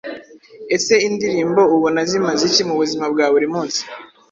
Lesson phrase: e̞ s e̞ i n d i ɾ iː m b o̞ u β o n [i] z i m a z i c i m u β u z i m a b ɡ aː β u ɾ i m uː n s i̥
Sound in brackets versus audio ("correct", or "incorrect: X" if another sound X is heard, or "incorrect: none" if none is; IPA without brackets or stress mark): incorrect: a